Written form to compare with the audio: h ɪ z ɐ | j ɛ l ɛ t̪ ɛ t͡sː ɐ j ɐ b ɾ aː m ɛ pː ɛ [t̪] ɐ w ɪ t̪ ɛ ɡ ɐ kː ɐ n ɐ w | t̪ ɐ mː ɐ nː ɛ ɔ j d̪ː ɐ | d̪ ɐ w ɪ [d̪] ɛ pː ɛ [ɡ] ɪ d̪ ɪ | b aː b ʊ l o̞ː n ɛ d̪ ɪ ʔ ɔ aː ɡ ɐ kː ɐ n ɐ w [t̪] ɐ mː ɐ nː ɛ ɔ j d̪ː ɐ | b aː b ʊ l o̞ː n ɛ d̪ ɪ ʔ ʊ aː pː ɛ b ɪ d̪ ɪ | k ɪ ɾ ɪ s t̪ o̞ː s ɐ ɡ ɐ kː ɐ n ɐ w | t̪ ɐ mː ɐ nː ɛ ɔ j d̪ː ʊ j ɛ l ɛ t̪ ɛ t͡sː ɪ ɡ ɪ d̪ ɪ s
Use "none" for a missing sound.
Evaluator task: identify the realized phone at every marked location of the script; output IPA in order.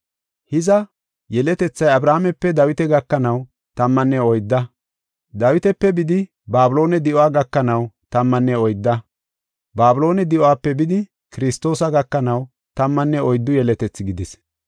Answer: d̪, t̪, b, t̪

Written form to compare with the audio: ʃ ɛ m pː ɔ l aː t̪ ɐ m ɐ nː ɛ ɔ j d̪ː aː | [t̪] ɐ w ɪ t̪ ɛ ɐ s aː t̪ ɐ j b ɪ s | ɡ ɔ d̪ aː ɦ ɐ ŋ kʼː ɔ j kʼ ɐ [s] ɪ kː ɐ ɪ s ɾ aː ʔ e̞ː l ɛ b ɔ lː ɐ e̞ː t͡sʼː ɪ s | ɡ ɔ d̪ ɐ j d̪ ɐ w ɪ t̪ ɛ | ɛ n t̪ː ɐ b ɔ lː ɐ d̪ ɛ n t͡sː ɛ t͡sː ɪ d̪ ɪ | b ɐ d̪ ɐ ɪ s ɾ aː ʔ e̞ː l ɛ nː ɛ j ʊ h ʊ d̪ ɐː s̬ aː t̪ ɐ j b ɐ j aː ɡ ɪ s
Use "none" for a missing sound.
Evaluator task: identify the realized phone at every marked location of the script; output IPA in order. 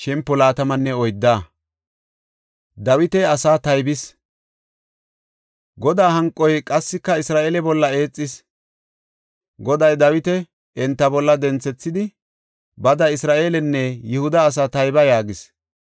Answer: d̪, sː

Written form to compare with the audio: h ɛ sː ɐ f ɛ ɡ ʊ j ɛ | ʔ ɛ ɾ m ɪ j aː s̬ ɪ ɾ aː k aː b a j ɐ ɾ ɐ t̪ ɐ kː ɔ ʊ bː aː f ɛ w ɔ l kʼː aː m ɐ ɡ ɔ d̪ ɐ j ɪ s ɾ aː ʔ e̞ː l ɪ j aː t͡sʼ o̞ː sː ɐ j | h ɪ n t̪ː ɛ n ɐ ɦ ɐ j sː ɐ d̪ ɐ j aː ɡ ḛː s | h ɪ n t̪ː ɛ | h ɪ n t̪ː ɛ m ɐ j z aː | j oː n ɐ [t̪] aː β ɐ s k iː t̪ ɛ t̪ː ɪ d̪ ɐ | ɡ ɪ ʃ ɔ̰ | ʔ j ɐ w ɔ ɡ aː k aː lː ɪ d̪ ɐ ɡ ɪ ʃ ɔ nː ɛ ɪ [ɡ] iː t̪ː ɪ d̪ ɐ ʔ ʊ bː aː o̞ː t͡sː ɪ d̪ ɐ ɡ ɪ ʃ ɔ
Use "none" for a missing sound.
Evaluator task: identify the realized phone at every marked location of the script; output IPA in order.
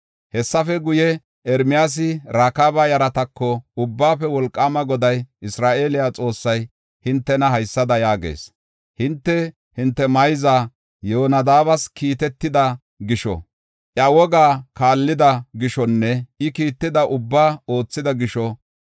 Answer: d̪, k

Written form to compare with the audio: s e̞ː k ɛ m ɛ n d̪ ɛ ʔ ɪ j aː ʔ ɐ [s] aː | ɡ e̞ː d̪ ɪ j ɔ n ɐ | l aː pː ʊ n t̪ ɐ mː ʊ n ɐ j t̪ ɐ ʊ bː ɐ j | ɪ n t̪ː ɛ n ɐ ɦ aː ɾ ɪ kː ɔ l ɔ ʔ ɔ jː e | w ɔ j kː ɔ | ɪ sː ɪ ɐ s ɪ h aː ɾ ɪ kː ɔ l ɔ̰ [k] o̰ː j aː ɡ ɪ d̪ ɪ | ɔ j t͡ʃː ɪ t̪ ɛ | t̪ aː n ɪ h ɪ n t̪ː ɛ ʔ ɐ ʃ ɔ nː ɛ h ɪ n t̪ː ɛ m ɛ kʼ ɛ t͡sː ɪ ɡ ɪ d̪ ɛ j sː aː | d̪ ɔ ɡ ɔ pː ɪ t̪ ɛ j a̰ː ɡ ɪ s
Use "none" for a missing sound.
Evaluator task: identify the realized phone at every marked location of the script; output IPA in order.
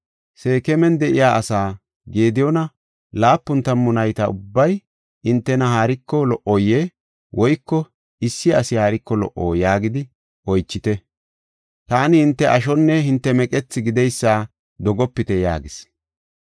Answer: s, ʔ

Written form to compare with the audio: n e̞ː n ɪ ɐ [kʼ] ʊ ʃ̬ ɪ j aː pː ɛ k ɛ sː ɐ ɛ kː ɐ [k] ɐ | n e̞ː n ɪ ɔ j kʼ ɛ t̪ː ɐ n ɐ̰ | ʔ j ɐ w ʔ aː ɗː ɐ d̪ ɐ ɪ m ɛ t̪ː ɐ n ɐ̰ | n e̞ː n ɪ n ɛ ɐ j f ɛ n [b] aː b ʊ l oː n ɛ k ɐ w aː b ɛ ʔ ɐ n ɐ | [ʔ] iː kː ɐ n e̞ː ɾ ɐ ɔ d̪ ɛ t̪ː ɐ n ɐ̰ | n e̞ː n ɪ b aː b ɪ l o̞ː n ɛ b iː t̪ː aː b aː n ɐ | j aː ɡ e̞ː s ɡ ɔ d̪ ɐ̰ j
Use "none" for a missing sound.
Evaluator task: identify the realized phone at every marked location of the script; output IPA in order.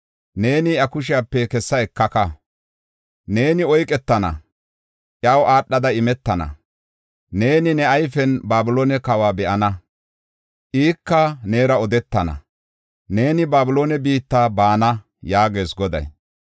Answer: k, k, b, ʔ

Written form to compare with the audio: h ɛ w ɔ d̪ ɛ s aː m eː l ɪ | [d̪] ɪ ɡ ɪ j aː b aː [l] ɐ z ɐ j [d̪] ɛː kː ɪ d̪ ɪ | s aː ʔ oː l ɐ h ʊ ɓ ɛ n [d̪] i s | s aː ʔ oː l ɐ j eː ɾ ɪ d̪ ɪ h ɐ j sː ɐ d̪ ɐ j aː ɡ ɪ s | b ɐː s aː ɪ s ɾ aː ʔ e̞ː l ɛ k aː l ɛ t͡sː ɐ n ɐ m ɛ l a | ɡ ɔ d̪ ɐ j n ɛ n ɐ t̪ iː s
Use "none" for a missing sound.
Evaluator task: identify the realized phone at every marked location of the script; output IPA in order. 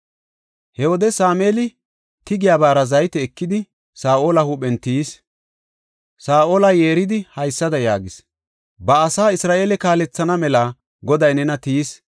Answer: t̪, ɾ, t̪, t̪

